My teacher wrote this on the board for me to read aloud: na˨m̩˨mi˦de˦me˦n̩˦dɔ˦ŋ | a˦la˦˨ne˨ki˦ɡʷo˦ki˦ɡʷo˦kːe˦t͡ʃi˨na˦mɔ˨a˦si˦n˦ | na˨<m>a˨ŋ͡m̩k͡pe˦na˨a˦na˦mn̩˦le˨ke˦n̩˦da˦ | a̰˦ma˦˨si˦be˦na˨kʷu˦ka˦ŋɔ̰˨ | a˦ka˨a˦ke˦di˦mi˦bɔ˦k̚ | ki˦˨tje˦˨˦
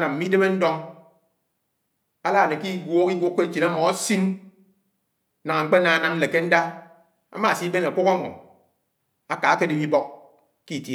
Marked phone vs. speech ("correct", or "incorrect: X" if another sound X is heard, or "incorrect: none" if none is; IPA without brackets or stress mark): incorrect: ŋ